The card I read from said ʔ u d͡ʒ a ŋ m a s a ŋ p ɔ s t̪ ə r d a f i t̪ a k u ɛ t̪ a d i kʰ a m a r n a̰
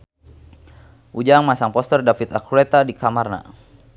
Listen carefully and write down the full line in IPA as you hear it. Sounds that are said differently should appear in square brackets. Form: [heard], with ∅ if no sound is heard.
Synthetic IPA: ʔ u d͡ʒ a ŋ m a s a ŋ p ɔ s t̪ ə r d a f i t̪ a k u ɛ t̪ a d i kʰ a m a r n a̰